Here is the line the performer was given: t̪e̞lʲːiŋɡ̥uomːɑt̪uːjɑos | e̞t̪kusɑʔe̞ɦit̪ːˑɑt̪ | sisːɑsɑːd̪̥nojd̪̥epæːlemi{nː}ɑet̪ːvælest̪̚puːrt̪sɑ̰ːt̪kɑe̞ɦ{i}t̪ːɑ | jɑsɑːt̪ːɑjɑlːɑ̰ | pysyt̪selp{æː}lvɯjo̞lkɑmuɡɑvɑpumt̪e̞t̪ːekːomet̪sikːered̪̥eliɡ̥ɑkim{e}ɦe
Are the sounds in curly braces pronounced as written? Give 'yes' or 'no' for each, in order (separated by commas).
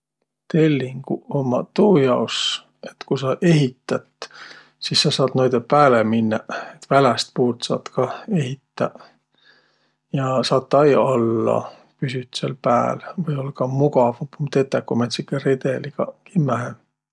yes, yes, yes, no